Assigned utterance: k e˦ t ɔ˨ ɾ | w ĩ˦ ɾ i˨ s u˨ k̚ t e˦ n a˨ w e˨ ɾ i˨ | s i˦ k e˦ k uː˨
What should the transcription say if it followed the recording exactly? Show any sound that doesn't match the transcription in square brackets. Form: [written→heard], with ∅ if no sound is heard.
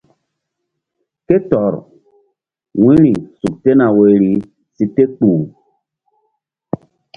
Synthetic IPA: k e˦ t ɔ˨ ɾ | w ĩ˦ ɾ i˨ s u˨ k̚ t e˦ n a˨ w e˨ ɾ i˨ | s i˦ [k→t] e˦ [k→k͡p] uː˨